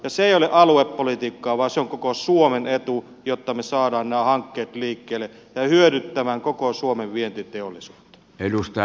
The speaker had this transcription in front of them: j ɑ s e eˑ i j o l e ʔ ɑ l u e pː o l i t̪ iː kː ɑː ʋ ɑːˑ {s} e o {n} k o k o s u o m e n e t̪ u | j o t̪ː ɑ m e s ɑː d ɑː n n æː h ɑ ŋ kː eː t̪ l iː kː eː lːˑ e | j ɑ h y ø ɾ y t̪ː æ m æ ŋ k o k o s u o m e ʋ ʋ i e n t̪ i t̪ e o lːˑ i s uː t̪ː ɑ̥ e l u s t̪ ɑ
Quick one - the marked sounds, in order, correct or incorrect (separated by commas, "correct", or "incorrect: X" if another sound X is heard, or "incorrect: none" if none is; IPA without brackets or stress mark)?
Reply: correct, incorrect: ŋ